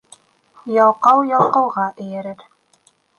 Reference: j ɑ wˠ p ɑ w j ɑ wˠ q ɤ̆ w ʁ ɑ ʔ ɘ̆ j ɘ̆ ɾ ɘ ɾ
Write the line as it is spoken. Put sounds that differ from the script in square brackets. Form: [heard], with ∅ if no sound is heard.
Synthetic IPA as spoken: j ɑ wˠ [q] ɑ w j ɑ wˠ q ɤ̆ w ʁ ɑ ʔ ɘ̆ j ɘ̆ ɾ ɘ ɾ